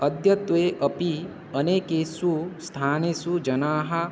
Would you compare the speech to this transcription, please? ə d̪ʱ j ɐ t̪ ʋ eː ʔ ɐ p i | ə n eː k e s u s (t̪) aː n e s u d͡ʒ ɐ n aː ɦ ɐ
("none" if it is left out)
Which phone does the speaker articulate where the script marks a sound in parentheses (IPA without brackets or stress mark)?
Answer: t̪ʰ